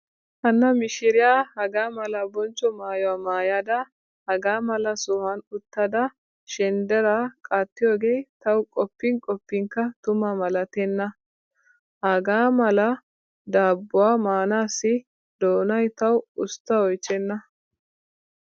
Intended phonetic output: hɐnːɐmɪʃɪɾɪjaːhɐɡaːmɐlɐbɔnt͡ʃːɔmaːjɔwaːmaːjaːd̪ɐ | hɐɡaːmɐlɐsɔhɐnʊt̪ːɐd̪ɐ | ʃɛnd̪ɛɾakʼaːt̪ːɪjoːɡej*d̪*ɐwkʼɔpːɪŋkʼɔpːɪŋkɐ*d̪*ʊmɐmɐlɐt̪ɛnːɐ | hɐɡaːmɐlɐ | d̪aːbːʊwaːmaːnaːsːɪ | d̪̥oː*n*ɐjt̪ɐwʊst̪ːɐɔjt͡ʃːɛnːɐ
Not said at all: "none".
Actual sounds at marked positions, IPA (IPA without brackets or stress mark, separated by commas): t̪, t̪, n